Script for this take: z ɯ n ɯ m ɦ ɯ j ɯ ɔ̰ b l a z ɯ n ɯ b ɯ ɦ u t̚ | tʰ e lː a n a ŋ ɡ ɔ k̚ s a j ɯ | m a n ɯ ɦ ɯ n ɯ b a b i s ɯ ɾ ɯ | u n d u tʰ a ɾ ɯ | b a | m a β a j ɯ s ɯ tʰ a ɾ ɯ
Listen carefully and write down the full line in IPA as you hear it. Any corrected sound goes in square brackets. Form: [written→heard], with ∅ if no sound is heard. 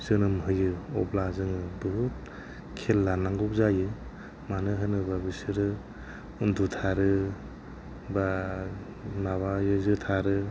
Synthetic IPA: z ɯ n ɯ m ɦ ɯ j ɯ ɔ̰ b l a z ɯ [n→ŋ] ɯ b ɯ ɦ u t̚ | [tʰ→kʰ] e lː a n a ŋ ɡ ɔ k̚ [s→z] a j ɯ | m a n ɯ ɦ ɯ n ɯ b a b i s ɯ ɾ ɯ | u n d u tʰ a ɾ ɯ | b a | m a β a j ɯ [s→z] ɯ tʰ a ɾ ɯ